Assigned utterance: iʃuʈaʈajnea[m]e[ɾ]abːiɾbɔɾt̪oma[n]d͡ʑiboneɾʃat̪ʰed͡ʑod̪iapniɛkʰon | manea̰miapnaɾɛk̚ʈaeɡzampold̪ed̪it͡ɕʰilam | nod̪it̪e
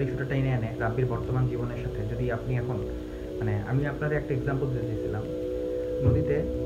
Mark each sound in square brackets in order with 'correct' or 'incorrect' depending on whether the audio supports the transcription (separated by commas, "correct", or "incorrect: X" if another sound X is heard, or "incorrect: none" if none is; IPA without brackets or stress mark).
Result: incorrect: n, correct, correct